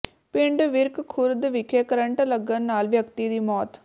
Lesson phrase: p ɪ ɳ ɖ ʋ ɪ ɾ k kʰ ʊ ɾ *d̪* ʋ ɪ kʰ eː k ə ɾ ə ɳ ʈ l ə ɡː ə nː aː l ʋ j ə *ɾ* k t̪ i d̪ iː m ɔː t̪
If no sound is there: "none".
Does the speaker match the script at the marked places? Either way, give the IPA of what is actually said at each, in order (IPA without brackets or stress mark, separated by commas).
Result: d̪, none